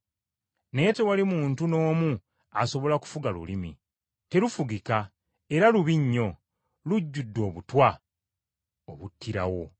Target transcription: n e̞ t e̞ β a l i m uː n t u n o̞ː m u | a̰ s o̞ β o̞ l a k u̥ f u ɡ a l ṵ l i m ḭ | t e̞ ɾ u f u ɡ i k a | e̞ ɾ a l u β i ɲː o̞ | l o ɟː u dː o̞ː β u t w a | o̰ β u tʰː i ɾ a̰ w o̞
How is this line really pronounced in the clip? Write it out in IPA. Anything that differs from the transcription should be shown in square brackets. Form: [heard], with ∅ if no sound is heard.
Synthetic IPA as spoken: n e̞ t e̞ [w] a l i m uː n t u n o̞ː m u | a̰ s o̞ β o̞ l a k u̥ f u ɡ a l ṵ l i m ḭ | t e̞ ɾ u f u ɡ i k a | e̞ ɾ a l u β i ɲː o̞ | l [u] ɟː u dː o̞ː β u t w a | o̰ β u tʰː i ɾ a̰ w o̞